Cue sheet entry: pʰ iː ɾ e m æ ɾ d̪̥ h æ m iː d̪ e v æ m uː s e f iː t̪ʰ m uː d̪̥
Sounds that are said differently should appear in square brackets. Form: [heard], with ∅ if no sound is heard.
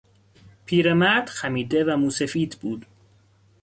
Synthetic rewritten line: pʰ iː ɾ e m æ ɾ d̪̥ [x] æ m iː d̪ e v æ m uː s e f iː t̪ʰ [b] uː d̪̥

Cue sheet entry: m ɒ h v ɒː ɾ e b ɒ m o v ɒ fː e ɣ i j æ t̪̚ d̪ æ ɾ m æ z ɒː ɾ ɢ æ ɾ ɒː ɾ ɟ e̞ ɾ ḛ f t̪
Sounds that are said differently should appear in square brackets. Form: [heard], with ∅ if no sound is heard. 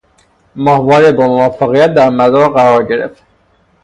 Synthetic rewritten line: m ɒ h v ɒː ɾ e b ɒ m o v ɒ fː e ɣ i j æ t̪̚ d̪ æ ɾ m æ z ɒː ɾ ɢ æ ɾ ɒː ɾ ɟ e̞ ɾ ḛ f t̪

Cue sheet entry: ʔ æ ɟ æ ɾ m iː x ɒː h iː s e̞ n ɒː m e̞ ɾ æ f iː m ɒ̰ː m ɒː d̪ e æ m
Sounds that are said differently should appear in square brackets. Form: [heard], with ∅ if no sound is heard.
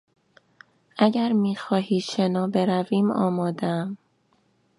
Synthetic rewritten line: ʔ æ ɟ æ ɾ m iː x ɒː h iː [ʃ] e̞ n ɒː [b] e̞ ɾ æ [v] iː m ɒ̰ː m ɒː d̪ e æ m

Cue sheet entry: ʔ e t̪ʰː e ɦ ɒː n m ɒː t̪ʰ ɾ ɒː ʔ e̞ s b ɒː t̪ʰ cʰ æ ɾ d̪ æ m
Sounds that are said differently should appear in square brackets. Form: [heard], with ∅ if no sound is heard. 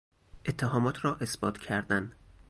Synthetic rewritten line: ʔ e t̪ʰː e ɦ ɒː [∅] m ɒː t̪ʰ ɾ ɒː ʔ e̞ s b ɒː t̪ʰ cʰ æ ɾ d̪ æ [n]

